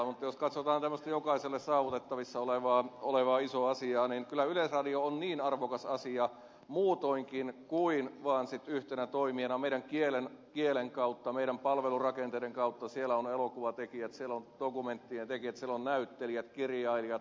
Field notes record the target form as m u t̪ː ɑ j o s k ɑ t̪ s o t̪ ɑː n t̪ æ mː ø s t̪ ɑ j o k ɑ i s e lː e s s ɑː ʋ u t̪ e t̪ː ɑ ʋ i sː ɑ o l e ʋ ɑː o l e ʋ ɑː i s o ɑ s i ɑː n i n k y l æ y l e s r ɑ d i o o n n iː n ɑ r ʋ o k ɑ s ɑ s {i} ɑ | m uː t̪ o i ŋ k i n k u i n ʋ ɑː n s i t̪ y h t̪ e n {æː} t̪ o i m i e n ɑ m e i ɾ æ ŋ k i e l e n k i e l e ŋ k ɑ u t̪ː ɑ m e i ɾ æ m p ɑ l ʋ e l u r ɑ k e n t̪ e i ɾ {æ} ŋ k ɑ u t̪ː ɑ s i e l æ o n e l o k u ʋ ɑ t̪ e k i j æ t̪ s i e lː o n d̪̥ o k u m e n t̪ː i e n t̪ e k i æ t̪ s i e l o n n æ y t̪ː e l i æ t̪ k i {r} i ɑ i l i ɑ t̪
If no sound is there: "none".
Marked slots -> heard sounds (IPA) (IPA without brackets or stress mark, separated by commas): i, æ, e, r